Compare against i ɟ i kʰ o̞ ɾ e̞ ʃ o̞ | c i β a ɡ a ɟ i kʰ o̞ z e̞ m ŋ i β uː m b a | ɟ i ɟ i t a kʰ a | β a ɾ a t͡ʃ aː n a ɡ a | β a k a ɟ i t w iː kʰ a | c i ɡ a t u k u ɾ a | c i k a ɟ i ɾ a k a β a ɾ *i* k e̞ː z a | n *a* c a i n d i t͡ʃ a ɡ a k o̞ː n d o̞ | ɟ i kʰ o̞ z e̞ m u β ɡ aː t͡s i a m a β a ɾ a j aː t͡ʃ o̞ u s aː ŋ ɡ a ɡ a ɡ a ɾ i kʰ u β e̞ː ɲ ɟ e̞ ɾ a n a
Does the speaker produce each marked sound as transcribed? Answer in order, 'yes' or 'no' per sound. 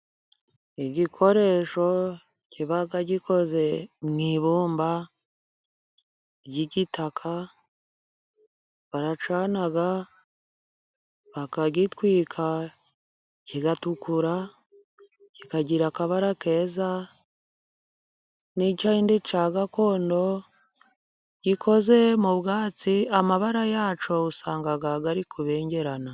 no, no

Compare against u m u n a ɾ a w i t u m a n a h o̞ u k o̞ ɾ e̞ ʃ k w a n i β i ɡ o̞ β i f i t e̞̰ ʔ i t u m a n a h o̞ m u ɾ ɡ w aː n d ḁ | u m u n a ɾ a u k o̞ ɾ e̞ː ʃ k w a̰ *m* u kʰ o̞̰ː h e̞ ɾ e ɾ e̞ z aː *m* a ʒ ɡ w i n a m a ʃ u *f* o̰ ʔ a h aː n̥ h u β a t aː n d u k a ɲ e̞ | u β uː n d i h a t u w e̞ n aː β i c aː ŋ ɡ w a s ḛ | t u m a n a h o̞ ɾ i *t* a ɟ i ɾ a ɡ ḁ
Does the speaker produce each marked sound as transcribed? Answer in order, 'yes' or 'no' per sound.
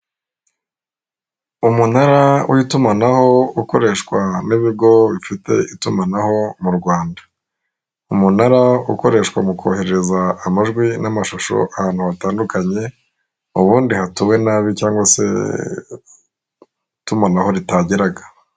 yes, yes, no, yes

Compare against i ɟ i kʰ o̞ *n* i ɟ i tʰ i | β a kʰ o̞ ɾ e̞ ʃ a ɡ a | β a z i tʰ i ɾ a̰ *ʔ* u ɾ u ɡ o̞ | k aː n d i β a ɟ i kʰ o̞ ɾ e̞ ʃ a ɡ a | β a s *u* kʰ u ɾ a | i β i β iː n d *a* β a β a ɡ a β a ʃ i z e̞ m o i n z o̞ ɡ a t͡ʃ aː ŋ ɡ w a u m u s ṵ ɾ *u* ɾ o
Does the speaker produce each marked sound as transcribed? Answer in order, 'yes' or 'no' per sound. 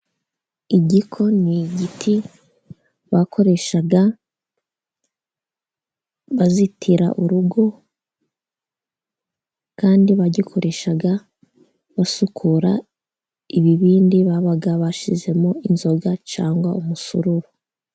yes, yes, yes, no, yes

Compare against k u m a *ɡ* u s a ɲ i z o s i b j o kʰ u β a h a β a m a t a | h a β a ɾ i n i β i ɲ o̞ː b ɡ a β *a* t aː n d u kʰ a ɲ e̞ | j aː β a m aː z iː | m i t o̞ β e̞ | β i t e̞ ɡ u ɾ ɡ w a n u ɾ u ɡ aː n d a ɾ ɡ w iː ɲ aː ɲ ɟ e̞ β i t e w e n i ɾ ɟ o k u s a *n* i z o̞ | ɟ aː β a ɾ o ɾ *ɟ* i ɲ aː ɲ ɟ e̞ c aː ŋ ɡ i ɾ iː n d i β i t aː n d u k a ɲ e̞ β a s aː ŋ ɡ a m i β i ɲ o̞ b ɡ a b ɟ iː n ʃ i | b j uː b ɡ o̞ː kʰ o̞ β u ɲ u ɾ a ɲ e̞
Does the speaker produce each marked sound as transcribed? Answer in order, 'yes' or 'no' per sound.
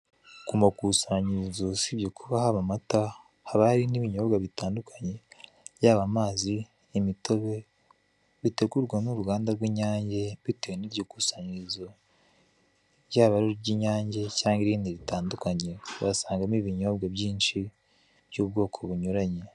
no, no, no, yes

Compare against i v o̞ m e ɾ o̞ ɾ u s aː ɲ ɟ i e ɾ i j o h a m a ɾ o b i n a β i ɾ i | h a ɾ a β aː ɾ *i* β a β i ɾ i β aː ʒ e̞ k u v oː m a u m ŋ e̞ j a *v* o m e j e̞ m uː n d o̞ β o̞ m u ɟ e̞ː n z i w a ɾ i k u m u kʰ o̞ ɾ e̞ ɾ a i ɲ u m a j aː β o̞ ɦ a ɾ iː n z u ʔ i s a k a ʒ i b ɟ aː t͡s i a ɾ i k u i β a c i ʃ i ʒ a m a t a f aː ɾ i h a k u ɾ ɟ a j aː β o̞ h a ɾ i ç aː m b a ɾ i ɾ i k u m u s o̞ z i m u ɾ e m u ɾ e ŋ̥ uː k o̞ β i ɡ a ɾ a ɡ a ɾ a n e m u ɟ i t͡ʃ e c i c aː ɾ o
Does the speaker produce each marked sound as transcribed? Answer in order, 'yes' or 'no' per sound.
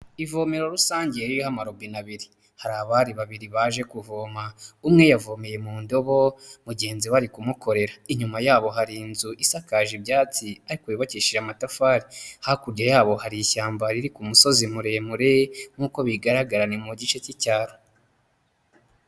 yes, yes

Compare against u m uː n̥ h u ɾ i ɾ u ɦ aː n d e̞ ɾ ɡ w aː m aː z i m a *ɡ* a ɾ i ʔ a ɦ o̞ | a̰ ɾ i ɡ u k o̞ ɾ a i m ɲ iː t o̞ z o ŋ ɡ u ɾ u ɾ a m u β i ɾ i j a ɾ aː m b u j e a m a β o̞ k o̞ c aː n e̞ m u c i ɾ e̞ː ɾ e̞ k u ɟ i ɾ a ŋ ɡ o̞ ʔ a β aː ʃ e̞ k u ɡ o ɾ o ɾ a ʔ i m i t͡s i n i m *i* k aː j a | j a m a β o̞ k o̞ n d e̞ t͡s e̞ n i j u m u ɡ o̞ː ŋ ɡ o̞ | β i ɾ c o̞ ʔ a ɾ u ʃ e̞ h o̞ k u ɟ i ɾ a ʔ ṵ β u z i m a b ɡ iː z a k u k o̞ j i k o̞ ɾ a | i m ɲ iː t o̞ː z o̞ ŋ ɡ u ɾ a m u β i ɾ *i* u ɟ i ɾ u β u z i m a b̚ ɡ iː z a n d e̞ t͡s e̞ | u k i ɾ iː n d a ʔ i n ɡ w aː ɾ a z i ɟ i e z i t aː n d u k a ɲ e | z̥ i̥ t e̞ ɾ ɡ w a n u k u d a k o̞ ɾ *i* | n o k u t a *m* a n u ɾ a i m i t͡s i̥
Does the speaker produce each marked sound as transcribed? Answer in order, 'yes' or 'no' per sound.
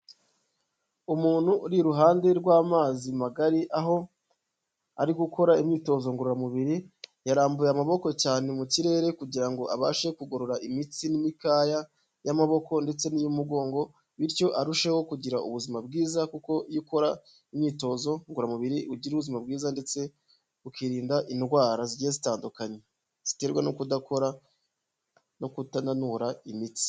yes, yes, yes, no, no

